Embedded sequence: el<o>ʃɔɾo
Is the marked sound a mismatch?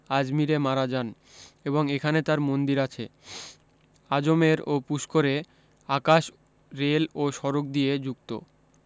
no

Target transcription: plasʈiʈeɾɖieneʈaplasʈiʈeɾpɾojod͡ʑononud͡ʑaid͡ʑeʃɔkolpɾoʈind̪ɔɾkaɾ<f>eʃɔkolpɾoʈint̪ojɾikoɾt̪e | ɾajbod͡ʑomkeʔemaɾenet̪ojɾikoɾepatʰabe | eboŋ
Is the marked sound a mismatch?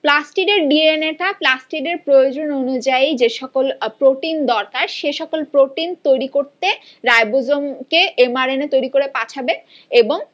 yes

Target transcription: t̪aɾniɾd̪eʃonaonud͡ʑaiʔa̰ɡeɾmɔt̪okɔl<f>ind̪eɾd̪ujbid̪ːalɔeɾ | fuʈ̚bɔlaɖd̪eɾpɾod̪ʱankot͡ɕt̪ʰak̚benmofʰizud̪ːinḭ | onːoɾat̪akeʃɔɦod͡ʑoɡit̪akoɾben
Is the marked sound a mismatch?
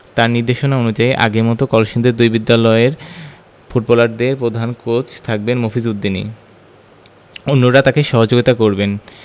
yes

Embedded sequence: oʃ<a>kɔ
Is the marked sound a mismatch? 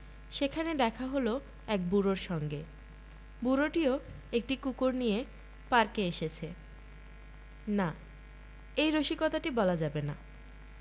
yes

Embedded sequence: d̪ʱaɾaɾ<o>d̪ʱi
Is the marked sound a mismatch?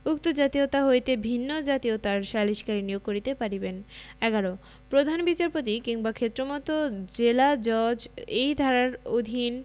no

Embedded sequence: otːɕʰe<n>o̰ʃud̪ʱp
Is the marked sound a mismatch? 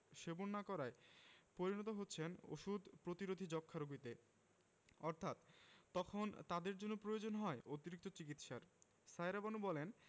no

